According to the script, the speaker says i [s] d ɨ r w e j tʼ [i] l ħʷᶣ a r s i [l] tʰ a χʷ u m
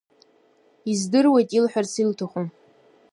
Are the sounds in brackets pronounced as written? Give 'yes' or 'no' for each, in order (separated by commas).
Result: no, yes, yes